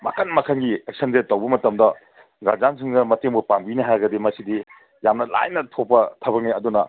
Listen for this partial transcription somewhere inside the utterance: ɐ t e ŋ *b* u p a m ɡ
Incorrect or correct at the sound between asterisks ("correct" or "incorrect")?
correct